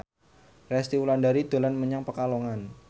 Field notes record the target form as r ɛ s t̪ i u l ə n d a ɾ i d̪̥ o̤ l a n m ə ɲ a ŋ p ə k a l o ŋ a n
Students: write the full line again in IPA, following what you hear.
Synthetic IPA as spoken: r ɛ s t̪ i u l a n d a ɾ i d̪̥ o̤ l a n m ə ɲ a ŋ p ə k a l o ŋ a n